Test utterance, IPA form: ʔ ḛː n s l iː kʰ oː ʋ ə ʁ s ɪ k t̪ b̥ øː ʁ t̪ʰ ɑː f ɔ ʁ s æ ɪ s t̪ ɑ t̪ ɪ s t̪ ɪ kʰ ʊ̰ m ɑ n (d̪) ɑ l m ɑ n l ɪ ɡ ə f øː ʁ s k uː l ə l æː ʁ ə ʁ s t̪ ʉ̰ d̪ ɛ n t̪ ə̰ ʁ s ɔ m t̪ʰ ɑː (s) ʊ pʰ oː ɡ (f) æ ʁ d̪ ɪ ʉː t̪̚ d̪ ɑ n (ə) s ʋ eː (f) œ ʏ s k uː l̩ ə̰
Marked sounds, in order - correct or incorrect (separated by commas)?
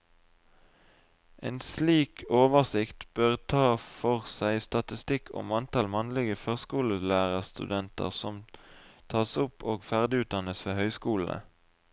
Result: incorrect, correct, correct, correct, incorrect